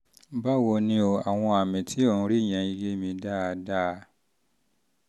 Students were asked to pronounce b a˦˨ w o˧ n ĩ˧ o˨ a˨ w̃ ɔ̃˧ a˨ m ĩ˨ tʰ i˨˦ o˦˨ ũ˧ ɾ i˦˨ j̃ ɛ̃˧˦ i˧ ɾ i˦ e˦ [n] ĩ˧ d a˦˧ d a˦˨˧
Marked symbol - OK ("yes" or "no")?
no